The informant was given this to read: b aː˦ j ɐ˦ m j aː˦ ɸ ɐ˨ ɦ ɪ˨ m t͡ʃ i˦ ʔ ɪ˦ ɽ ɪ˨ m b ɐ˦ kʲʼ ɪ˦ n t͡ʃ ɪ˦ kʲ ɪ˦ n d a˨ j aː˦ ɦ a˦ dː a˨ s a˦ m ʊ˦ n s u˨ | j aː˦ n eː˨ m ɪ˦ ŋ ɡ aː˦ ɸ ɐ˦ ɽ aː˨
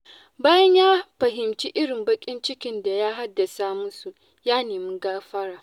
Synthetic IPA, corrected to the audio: b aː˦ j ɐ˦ ɲ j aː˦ ɸ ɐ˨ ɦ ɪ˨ m t͡ʃ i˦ ʔ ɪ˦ ɽ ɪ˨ m b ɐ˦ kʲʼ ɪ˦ n t͡ʃ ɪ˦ kʲ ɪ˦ n d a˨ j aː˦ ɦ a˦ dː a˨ s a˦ m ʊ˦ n s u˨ | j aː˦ n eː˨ m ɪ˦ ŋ ɡ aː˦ ɸ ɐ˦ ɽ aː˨